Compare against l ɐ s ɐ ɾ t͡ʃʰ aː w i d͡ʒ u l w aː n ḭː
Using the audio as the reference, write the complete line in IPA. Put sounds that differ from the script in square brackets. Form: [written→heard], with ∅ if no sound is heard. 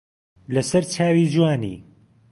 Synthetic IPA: l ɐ s ɐ ɾ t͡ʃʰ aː w i d͡ʒ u [l→∅] w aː n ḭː

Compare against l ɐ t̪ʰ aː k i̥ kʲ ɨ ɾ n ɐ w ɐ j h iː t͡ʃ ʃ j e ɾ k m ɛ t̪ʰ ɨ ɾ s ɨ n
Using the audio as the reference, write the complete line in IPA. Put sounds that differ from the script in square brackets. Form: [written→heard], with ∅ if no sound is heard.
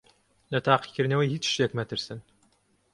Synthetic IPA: l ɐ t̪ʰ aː [k→q] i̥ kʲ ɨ ɾ n ɐ w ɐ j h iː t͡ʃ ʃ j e [ɾ→∅] k m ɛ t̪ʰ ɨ ɾ s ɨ n

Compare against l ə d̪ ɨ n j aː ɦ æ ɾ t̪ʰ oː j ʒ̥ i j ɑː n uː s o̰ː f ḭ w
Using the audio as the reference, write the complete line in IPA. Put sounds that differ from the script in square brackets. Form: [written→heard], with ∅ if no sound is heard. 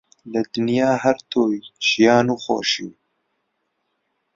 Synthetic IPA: l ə d̪ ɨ n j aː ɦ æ ɾ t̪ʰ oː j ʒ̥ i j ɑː n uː [s→x] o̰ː [f→ʃ] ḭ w

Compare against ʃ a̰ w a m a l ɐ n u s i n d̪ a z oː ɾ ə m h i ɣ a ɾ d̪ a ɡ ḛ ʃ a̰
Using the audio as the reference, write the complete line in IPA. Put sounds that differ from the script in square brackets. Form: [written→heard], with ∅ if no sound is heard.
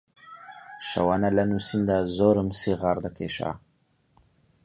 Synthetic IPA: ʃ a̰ w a [m→n] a l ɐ n u s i n d̪ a z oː ɾ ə m [h→s] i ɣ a ɾ d̪ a [ɡ→k] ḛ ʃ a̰

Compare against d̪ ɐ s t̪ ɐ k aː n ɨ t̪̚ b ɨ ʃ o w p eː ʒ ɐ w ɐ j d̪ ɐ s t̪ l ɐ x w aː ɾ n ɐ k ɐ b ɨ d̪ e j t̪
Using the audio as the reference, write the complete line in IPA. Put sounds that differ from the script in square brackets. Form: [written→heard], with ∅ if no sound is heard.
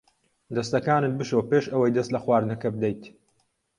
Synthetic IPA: d̪ ɐ s t̪ ɐ k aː n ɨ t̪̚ b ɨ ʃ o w p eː [ʒ→ʃ] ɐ w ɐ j d̪ ɐ s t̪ l ɐ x w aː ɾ n ɐ k ɐ b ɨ d̪ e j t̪

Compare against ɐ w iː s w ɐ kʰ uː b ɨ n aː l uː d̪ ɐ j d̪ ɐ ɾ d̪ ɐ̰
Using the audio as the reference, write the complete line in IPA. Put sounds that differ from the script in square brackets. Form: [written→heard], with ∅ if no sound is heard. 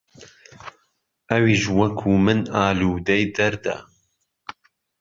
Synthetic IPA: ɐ w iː [s→ʃ] w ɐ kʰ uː [b→m] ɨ n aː l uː d̪ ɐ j d̪ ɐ ɾ d̪ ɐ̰

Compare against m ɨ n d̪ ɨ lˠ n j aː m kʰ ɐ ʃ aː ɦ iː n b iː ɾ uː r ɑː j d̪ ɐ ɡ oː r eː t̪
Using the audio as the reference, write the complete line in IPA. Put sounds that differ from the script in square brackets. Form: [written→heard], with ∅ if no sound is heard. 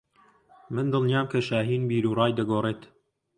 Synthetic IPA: m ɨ n d̪ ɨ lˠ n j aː m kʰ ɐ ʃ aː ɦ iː n b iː ɾ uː r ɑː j d̪ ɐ ɡ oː r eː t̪

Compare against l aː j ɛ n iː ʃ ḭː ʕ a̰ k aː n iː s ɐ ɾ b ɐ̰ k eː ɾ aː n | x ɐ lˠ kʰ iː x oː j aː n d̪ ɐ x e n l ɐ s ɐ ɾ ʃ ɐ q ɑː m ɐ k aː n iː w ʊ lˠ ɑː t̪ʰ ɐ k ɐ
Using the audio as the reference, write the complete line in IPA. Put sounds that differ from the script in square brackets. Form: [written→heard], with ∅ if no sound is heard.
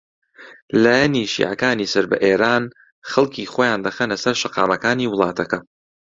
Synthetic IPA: l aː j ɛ n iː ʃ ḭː ʕ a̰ k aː n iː s ɐ ɾ b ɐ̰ [k→ʔ] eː ɾ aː n | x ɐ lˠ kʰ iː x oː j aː n d̪ ɐ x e n l ɐ s ɐ ɾ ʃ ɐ q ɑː m ɐ k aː n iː w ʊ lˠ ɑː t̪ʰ ɐ k ɐ

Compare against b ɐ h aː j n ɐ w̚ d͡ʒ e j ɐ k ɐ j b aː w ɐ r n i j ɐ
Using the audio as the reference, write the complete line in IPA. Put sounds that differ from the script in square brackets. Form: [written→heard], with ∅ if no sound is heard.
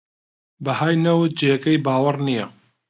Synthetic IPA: b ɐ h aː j n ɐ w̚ d͡ʒ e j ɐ k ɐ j b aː w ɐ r n i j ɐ

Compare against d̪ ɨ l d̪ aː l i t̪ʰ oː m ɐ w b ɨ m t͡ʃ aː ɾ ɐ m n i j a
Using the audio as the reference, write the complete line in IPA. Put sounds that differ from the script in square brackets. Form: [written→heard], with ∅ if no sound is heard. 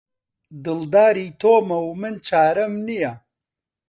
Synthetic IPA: d̪ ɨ l d̪ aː [l→ɾ] i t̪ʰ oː m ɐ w [b→m] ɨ [m→n] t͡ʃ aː ɾ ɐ m n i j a

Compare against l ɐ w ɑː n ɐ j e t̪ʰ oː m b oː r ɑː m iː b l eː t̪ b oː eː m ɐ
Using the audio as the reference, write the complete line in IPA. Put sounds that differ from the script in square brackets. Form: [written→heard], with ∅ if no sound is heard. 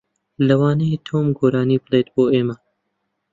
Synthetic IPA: l ɐ w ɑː n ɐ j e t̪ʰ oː m [b→ɡ] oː [r→ɾ] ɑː [m→n] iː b l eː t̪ b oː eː m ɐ

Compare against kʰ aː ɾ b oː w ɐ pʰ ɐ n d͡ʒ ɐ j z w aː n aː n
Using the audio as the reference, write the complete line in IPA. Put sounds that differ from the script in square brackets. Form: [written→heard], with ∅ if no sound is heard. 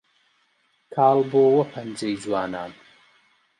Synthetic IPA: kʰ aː [ɾ→l] b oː w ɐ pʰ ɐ n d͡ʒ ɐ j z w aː n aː n

